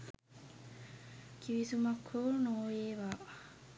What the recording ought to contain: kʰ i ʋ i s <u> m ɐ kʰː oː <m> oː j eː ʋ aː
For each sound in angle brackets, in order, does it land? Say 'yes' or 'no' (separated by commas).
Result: yes, no